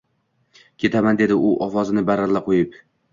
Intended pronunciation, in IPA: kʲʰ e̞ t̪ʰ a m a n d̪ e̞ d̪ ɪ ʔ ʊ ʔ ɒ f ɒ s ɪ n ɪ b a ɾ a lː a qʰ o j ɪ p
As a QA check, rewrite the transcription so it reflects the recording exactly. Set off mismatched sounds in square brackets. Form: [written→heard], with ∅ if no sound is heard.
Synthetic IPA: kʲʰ e̞ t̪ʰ a m a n d̪ e̞ d̪ ɪ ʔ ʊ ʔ ɒ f ɒ [s→z] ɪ n ɪ b a ɾ a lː a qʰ o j ɪ p